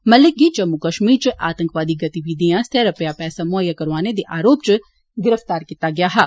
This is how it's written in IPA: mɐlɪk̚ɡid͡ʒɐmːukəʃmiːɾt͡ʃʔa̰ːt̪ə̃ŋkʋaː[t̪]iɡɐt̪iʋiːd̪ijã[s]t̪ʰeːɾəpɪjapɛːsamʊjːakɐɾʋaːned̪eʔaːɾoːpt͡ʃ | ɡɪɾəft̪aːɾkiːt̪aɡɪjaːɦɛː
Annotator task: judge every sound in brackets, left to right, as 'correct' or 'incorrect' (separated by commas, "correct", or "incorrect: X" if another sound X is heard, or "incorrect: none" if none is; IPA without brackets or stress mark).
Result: incorrect: d̪, correct